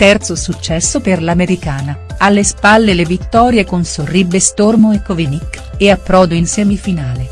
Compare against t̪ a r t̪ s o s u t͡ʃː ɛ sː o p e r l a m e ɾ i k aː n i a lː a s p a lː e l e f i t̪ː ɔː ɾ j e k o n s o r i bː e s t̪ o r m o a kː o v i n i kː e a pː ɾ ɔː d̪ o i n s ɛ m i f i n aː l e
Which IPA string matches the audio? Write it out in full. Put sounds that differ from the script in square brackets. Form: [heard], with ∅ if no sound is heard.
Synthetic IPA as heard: t̪ [ɛ] r t̪ s o s u t͡ʃː ɛ sː o p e r l a m e ɾ i k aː n [a] a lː [e] s p a lː e l e [v] i t̪ː ɔː ɾ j e k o n s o r i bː e s t̪ o r m o [e] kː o v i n i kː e a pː ɾ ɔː d̪ o i n s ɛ m i f i n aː l e